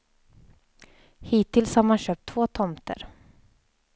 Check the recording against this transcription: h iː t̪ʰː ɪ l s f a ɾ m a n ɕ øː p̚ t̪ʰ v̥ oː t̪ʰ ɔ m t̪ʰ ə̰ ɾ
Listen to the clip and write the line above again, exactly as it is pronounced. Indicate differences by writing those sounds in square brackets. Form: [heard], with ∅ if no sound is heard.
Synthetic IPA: h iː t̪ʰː ɪ l s [h] a ɾ m a n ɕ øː p̚ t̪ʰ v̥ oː t̪ʰ ɔ m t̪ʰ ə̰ ɾ